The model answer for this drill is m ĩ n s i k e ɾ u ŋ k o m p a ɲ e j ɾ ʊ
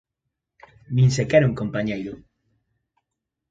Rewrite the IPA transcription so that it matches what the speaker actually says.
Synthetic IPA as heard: m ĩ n s e k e ɾ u ŋ k o m p a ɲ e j ɾ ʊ